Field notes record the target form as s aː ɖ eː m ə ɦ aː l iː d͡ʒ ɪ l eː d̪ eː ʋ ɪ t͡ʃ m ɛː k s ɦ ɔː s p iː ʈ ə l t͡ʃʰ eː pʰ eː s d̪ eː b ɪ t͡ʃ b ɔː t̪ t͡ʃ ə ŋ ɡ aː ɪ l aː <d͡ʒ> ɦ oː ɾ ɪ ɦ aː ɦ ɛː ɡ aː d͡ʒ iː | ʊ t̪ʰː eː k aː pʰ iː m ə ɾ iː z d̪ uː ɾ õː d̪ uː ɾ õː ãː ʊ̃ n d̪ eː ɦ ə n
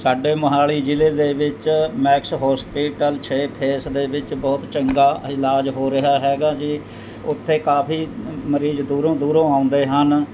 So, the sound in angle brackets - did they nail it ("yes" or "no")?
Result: yes